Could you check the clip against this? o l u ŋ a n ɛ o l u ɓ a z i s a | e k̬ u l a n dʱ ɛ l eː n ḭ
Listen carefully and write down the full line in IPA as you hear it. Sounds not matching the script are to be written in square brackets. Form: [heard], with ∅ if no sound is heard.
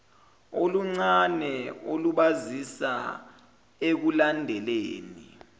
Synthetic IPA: o l u [ŋ͡ǀ] a n ɛ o l u ɓ a z i s a | e k̬ u l a n dʱ ɛ l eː n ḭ